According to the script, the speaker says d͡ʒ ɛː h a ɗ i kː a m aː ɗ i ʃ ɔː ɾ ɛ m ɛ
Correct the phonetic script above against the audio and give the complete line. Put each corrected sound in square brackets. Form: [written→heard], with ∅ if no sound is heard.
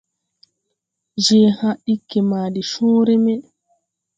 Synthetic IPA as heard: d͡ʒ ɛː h a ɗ i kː [a→ɛ] m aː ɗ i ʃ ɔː ɾ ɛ m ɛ

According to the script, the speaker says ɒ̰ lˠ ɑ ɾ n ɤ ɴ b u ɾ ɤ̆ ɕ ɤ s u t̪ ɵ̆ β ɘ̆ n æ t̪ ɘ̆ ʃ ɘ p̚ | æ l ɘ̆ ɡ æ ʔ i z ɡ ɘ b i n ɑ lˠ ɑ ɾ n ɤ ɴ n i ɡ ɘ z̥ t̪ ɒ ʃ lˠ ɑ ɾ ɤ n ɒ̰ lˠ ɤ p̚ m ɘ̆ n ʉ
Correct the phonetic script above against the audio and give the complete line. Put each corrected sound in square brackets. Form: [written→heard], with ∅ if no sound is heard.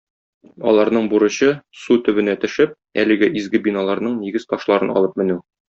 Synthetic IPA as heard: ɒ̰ lˠ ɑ ɾ n ɤ ɴ b u ɾ ɤ̆ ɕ ɤ s u t̪ ɵ̆ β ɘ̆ n æ t̪ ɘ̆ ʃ ɘ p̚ | æ l ɘ̆ ɡ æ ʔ i z ɡ ɘ b i n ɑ lˠ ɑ ɾ n ɤ ɴ n i ɡ ɘ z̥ t̪ ɒ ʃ lˠ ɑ ɾ ɤ n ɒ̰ lˠ ɤ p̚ m ɘ̆ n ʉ

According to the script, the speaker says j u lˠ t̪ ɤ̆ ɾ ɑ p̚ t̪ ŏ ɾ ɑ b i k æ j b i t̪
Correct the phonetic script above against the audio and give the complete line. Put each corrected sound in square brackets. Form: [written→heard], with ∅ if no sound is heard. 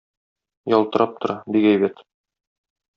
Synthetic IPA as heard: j [u→ɒ] lˠ t̪ ɤ̆ ɾ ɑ p̚ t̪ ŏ ɾ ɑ b i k æ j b [i→æ] t̪

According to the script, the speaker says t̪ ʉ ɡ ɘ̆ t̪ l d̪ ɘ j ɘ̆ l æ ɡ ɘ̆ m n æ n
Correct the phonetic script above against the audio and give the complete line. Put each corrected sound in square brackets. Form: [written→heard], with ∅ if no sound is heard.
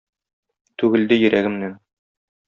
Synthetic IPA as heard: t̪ ʉ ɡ ɘ̆ [t̪→∅] l d̪ ɘ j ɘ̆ [l→ɾ] æ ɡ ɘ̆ m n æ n

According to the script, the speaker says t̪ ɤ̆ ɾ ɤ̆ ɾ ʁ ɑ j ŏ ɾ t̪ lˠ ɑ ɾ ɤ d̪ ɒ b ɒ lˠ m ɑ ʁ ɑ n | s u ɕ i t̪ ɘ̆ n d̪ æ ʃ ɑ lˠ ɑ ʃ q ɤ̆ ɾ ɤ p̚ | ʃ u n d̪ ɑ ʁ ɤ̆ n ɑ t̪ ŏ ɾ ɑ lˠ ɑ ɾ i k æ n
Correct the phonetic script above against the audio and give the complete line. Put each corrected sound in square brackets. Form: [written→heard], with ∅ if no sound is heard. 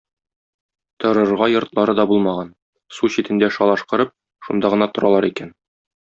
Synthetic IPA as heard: t̪ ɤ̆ ɾ ɤ̆ ɾ ʁ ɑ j ŏ ɾ t̪ lˠ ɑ ɾ ɤ d̪ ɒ b [ɒ→u] lˠ m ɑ ʁ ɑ n | s u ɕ i t̪ ɘ̆ n d̪ æ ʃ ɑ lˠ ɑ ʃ q ɤ̆ ɾ ɤ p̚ | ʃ u n d̪ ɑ ʁ ɤ̆ n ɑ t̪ ŏ ɾ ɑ lˠ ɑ ɾ i k æ n

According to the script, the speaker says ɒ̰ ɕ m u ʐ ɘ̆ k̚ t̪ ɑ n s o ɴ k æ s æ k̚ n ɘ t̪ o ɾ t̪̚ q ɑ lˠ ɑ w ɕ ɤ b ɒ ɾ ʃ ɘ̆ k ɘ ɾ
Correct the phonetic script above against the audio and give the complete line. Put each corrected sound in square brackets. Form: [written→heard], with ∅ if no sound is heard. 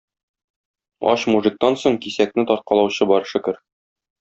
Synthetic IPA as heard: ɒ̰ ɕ m u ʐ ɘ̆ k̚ t̪ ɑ n s o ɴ k [æ→i] s æ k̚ n ɘ t̪ [o→ɒ] ɾ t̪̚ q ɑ lˠ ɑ w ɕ ɤ b ɒ ɾ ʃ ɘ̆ k ɘ ɾ

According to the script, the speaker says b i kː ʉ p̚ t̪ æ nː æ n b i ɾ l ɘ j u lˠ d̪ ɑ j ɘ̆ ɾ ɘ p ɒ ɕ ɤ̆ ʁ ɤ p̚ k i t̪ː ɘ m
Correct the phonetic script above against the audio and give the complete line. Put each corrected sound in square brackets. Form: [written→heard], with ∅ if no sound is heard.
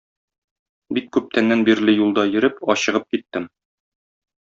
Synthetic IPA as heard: b i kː ʉ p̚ t̪ æ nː æ n b i ɾ l ɘ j u lˠ d̪ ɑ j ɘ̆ ɾ ɘ p ɒ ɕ ɤ̆ ʁ ɤ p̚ k i t̪ː ɘ m

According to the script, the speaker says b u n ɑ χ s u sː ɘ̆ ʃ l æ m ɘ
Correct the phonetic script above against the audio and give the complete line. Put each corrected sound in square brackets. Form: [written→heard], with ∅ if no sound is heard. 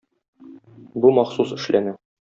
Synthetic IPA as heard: b u [n→m] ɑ χ s u [sː→s] ɘ̆ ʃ l æ [m→n] ɘ

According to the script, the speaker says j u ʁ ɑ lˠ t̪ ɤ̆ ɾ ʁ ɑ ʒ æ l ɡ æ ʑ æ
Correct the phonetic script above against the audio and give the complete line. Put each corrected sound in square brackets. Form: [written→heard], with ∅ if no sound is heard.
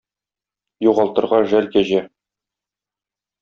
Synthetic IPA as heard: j u ʁ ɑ lˠ t̪ ɤ̆ ɾ ʁ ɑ ʒ æ l [ɡ→k] æ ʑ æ

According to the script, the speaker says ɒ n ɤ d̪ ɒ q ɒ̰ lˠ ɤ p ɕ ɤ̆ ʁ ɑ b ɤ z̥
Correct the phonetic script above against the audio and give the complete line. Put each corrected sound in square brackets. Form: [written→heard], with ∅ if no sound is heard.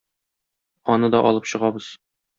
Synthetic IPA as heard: ɒ n ɤ d̪ ɒ [q→ʔ] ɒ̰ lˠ ɤ p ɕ ɤ̆ ʁ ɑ b ɤ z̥

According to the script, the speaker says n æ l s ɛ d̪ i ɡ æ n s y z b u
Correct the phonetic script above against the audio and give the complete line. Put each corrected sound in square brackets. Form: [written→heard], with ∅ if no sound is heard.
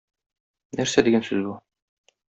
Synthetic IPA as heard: n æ [l→ɾ] s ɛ d̪ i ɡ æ n s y z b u

